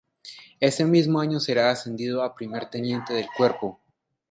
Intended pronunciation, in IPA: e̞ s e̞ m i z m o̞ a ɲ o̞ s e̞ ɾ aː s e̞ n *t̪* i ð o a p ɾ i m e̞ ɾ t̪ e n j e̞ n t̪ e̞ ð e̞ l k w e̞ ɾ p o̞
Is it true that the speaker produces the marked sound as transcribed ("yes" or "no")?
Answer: no